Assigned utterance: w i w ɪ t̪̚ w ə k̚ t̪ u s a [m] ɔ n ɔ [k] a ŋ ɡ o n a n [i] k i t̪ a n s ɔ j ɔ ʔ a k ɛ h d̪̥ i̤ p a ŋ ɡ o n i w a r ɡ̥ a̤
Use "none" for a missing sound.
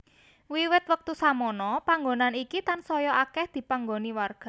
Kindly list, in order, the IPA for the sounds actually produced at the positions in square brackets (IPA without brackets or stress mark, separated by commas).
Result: m, p, i